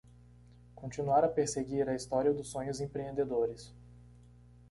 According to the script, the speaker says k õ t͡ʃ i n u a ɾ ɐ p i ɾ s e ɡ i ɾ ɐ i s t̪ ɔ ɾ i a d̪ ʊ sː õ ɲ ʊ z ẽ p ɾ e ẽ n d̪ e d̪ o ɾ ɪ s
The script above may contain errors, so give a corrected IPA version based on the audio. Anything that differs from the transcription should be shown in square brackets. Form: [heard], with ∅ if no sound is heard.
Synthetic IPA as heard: k õ t͡ʃ i n u a ɾ ɐ p [e] ɾ s e ɡ i ɾ ɐ i s t̪ ɔ ɾ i [ɐ] d̪ ʊ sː õ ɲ ʊ z ẽ p ɾ e ẽ n d̪ e d̪ o ɾ ɪ s